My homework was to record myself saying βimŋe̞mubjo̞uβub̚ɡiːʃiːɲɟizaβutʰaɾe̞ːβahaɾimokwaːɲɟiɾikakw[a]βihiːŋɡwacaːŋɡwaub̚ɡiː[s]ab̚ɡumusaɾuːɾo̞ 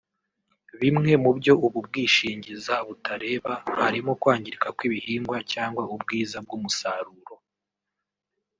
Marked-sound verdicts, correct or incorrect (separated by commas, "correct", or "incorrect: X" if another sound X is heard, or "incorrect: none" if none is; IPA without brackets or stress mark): incorrect: i, incorrect: z